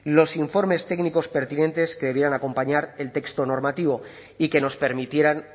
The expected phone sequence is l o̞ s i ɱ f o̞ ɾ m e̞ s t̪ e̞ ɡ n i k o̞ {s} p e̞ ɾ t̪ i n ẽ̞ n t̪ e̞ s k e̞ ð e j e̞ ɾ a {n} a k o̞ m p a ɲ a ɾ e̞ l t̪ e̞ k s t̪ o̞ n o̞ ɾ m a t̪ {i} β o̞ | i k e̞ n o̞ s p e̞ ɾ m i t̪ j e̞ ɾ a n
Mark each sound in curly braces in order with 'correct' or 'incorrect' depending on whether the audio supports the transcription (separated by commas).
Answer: correct, correct, correct